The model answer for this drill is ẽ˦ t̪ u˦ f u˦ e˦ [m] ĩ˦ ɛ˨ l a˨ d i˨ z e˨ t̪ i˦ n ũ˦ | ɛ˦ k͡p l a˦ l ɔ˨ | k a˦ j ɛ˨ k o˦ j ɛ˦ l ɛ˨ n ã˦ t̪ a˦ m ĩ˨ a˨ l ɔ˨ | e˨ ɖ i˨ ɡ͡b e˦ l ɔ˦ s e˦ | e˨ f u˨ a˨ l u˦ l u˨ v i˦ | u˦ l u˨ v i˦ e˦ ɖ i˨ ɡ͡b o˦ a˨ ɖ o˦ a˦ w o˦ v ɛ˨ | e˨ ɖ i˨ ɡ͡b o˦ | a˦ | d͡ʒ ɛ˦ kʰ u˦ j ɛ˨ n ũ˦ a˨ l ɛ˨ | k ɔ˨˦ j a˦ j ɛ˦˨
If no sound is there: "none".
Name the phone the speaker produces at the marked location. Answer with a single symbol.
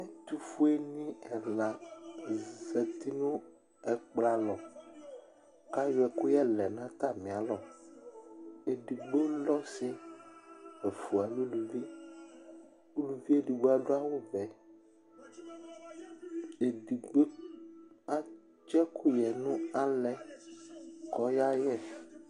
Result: n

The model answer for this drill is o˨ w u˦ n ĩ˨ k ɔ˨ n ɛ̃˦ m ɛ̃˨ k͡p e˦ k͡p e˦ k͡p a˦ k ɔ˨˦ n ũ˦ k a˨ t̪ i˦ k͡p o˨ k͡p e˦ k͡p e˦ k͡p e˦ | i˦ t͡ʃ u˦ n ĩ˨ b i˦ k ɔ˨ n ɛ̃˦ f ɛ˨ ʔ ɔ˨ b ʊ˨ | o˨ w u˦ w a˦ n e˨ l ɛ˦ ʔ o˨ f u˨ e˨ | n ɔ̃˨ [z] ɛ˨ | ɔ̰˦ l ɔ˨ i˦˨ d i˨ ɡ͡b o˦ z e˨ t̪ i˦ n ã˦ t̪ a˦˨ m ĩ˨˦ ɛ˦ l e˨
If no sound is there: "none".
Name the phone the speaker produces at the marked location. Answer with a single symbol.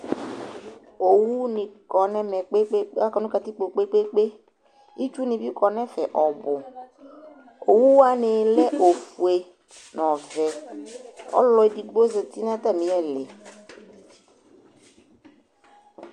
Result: v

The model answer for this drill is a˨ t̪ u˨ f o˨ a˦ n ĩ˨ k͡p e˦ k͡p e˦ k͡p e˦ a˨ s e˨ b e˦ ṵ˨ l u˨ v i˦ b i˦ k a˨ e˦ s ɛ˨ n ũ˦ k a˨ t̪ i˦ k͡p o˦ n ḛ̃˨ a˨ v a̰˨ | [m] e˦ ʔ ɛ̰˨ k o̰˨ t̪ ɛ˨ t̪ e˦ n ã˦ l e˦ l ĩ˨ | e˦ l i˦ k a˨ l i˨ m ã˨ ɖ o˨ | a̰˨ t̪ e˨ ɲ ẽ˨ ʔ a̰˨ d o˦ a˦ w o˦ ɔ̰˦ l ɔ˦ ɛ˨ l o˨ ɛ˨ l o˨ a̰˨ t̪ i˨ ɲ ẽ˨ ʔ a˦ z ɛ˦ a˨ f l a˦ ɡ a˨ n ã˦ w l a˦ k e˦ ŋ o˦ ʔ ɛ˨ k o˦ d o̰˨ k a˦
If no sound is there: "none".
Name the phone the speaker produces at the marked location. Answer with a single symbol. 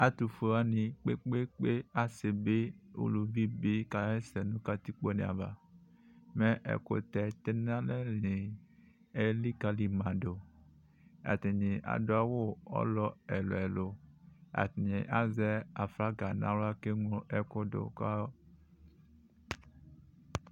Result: m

